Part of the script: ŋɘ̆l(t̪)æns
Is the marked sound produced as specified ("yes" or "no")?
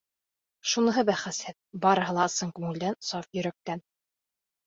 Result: no